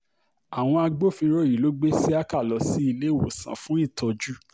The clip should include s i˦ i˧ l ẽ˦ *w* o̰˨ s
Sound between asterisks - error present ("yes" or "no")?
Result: no